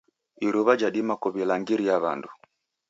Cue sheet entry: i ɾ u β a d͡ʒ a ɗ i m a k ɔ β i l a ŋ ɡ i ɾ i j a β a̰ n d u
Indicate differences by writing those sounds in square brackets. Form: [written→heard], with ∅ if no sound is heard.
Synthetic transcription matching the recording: i ɾ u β a d͡ʒ a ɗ i m a k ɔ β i l a ŋ ɡ i ɾ i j a β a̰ n d u